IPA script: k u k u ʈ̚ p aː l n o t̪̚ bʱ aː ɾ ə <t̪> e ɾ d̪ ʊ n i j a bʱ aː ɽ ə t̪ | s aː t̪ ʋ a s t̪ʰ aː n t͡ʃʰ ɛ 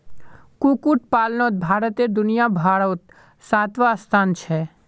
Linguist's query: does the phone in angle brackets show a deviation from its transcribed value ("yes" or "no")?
no